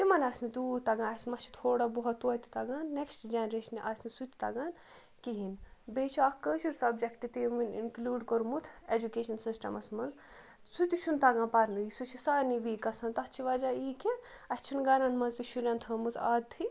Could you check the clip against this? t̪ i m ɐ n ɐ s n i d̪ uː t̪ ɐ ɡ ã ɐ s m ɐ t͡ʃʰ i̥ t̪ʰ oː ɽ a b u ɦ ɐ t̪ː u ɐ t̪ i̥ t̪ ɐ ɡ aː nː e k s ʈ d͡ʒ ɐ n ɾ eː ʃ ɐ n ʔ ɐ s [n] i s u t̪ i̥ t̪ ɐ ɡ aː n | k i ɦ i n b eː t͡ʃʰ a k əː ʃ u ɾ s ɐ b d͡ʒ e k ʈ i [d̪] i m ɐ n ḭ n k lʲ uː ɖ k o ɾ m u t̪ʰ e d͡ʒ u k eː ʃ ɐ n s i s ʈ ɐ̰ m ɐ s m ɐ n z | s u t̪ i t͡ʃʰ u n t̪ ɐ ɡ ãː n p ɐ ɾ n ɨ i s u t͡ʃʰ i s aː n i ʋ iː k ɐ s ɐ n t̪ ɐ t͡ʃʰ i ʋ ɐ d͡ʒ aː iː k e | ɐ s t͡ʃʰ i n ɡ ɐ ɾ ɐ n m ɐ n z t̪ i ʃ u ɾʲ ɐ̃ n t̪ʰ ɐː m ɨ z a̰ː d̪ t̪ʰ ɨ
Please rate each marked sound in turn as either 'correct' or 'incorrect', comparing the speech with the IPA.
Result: correct, incorrect

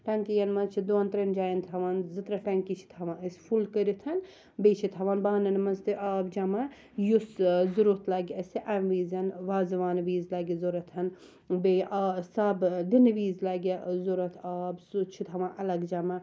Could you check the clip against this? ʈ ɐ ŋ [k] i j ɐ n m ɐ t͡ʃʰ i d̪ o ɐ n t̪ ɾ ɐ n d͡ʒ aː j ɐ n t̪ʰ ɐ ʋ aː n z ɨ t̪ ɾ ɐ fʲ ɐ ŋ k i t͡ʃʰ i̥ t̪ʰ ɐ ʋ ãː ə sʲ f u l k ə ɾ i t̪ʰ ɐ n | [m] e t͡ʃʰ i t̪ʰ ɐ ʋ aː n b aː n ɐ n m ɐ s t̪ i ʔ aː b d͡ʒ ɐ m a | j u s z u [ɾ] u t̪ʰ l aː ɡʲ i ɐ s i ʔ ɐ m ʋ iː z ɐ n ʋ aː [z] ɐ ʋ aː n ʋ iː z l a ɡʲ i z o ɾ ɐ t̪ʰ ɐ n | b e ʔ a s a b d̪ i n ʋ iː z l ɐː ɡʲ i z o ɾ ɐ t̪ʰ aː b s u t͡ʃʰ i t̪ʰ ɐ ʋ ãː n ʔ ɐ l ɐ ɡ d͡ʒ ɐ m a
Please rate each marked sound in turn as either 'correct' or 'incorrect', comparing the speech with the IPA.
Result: correct, incorrect, correct, correct

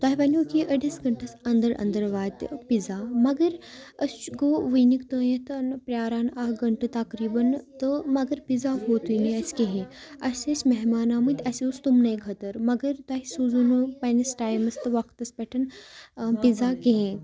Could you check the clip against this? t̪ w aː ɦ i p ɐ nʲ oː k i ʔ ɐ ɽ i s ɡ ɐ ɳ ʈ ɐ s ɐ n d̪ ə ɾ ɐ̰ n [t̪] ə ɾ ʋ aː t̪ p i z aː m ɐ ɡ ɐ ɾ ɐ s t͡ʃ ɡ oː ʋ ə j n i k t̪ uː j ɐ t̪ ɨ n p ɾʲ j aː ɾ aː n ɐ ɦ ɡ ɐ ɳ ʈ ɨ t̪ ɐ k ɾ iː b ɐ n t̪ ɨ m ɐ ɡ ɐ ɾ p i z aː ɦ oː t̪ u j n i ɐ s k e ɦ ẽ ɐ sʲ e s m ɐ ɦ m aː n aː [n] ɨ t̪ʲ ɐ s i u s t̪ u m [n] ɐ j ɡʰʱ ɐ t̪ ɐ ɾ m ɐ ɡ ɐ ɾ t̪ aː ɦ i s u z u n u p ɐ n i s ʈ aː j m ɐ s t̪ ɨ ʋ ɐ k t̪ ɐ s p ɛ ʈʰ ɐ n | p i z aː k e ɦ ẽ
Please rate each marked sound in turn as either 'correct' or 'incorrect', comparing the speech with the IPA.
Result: incorrect, incorrect, correct

